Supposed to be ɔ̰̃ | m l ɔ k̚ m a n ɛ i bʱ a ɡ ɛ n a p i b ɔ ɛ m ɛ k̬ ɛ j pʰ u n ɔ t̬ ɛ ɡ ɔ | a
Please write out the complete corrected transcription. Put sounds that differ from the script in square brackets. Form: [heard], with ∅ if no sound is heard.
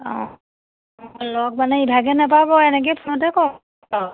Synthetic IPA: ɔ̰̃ | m l ɔ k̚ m a n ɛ i bʱ a ɡ ɛ n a p [a] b ɔ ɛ [n] ɛ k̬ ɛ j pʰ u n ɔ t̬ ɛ [k] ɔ | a